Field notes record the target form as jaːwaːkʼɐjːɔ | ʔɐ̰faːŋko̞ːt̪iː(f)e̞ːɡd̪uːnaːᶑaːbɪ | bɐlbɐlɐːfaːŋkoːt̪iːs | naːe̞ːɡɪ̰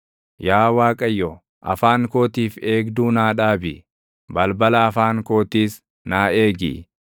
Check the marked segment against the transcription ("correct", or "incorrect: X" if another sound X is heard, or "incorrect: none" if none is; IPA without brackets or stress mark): correct